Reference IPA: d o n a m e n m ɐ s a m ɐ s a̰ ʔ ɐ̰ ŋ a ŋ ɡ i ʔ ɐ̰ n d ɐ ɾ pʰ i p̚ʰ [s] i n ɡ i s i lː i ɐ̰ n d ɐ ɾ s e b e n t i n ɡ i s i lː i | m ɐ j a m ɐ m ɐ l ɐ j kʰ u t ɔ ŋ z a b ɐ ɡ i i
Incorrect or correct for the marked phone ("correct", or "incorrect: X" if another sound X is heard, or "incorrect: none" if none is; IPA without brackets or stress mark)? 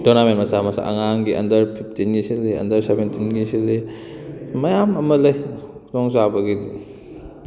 incorrect: t